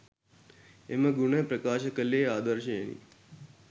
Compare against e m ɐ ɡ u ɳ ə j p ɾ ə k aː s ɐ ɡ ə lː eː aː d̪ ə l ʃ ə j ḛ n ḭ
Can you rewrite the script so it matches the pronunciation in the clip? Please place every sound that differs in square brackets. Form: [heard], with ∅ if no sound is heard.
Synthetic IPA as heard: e m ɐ ɡ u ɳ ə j p ɾ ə k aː [ʃ] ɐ [k] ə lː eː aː d̪ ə [ɾ] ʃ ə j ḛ n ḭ